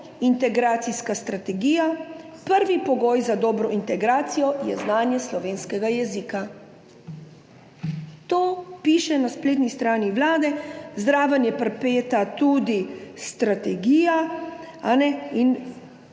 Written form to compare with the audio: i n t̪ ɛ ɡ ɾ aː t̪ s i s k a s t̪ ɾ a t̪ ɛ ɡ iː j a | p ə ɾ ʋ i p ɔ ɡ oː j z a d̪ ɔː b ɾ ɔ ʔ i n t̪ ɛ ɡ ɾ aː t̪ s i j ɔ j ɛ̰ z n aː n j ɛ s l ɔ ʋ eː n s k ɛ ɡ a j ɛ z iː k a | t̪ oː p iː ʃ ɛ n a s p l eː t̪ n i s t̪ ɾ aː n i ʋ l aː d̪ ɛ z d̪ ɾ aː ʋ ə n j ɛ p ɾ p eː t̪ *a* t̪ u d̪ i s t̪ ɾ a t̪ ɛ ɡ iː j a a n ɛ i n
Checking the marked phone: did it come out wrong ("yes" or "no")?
no